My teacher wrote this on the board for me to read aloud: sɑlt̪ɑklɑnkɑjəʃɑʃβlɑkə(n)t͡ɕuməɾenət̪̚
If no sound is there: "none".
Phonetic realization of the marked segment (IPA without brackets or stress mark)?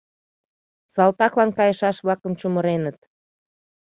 m